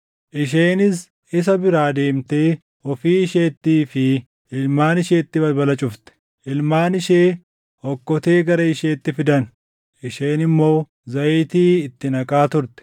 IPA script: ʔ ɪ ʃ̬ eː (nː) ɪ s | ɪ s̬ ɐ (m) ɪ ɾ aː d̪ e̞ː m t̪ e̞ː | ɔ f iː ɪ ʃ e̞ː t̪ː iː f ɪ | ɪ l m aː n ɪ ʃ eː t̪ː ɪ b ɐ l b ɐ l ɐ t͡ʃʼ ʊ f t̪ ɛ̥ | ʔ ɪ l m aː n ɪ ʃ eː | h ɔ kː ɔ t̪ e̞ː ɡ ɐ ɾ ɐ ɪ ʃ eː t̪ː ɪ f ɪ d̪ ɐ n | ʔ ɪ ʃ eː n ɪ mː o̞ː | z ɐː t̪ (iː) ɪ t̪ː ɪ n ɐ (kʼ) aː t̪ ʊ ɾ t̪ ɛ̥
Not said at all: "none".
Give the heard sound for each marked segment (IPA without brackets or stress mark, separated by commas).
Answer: n, b, iː, kʼ